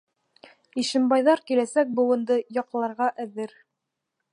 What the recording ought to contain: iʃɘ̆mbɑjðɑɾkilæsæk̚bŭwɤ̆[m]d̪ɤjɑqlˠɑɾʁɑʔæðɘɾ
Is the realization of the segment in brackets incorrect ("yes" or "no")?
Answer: yes